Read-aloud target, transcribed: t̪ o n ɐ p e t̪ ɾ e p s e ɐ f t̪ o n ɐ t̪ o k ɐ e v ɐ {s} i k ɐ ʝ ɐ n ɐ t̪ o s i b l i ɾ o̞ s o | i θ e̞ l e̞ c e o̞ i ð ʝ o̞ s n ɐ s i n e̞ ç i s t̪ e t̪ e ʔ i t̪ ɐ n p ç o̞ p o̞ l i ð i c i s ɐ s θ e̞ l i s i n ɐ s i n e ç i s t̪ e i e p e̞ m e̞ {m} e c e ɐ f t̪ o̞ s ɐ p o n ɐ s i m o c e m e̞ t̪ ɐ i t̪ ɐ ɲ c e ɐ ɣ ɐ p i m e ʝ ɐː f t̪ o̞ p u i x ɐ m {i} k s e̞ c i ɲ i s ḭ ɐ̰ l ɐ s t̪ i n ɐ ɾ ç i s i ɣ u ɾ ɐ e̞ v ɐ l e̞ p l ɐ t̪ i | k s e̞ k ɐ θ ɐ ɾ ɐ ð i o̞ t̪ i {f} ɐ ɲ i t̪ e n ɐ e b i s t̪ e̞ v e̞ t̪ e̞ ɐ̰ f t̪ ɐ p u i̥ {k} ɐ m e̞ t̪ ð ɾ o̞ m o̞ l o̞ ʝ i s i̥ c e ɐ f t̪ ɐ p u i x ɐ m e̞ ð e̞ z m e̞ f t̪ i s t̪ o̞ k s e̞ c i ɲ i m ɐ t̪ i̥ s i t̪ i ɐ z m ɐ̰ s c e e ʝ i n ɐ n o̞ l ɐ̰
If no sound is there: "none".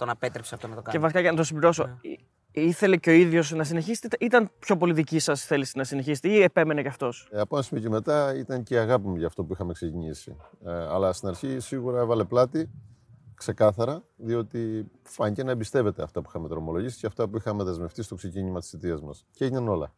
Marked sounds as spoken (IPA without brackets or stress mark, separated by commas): s, n, e, f, x